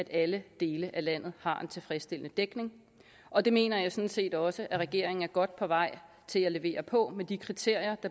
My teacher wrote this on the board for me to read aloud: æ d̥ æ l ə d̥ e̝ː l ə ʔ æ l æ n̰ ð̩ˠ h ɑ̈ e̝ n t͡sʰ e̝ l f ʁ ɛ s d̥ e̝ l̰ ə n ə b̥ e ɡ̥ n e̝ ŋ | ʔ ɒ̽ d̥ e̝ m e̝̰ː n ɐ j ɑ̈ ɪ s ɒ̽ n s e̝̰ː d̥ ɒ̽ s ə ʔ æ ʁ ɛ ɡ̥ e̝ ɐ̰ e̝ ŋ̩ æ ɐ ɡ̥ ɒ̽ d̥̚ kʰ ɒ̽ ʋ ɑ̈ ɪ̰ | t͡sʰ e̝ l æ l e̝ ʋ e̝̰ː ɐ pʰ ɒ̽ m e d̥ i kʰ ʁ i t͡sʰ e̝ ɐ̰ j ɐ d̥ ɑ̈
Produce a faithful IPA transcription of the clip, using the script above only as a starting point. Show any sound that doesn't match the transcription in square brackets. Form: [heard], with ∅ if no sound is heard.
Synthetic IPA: æ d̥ æ l ə d̥ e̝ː l ə ʔ æ l æ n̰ ð̩ˠ h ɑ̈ e̝ n t͡sʰ e̝ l f ʁ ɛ s d̥ e̝ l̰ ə n ə [d̥] e ɡ̥ n e̝ ŋ | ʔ ɒ̽ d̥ e̝ m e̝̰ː n ɐ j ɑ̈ ɪ s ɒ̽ n s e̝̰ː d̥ ɒ̽ s ə ʔ æ ʁ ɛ ɡ̥ e̝ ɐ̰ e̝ ŋ̩ æ ɐ ɡ̥ ɒ̽ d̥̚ [pʰ] ɒ̽ ʋ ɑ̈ ɪ̰ | t͡sʰ e̝ l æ l e̝ ʋ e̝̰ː ɐ pʰ ɒ̽ m e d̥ i kʰ ʁ i t͡sʰ e̝ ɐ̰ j ɐ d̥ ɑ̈